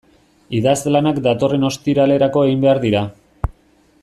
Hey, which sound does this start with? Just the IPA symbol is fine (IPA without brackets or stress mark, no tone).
i